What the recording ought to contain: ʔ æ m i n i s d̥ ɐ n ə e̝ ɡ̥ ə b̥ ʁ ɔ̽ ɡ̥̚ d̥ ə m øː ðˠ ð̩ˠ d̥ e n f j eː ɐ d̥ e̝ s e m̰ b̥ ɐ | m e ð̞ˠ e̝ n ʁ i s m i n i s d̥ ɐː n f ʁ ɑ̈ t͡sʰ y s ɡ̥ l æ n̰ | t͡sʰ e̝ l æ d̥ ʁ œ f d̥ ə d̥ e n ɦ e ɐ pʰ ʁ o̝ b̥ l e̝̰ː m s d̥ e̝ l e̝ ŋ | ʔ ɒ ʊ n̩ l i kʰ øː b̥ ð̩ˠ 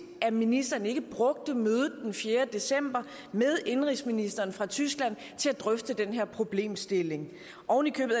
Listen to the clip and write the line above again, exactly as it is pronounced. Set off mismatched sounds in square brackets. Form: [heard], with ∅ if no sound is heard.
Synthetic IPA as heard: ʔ æ m i n i s d̥ ɐ n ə e̝ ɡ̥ ə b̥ ʁ ɔ̽ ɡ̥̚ d̥ ə m øː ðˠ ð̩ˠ d̥ e n f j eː ɐ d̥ e̝ s e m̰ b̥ ɐ | m e ð̞ˠ e̝ n ʁ i s m i n i s d̥ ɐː n f ʁ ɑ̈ t͡sʰ y s ɡ̥ l æ n̰ | t͡sʰ e̝ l æ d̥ ʁ œ f d̥ ə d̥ e n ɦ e ɐ pʰ ʁ o̝ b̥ l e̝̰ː m s d̥ e̝ l e̝ ŋ | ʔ ɒ ʊ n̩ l i kʰ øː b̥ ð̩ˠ